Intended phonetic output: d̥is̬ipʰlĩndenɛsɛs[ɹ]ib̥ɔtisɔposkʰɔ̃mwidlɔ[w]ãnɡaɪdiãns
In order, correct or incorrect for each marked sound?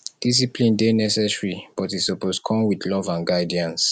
correct, incorrect: v

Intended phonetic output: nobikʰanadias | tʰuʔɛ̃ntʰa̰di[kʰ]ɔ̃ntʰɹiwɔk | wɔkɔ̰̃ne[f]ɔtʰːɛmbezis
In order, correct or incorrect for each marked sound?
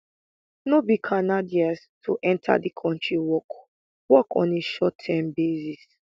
correct, incorrect: ʃ

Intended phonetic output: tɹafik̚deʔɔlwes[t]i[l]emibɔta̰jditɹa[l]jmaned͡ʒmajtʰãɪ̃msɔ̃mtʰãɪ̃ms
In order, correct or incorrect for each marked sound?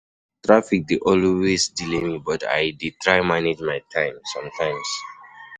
incorrect: d, correct, incorrect: none

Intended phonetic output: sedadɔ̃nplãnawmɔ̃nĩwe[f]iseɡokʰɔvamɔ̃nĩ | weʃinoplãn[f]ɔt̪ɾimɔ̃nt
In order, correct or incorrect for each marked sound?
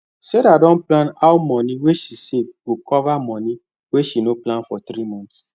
incorrect: ʃ, correct

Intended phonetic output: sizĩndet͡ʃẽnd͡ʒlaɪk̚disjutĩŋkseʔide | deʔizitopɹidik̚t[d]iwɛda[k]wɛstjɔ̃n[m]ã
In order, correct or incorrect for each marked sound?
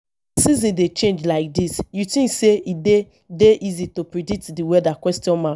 correct, correct, correct

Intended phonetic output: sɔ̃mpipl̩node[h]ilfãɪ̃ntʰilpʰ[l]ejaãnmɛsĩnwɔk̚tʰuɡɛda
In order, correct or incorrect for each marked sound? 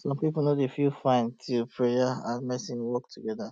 incorrect: f, incorrect: ɹ

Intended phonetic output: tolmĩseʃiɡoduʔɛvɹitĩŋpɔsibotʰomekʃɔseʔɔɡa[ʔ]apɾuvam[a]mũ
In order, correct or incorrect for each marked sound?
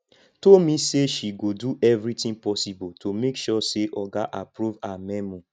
correct, incorrect: ɛ

